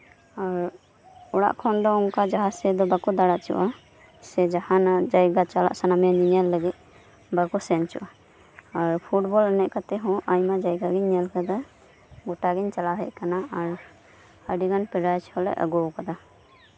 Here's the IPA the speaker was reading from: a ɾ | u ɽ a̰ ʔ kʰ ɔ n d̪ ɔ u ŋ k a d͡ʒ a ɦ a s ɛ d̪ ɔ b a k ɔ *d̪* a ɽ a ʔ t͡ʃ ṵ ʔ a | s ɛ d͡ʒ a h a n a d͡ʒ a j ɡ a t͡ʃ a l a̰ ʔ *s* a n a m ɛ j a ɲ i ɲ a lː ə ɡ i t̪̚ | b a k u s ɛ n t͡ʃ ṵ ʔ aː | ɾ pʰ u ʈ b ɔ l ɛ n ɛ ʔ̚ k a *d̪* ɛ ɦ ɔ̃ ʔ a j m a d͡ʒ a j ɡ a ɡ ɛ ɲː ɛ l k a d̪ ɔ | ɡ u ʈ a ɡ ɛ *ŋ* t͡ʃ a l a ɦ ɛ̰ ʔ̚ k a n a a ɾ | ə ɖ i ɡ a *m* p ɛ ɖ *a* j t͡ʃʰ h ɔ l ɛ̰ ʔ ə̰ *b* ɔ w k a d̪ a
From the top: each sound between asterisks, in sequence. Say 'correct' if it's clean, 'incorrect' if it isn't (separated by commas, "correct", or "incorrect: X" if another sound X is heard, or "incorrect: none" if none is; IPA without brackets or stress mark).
correct, correct, incorrect: t̪, incorrect: ɲ, incorrect: n, correct, incorrect: ɡ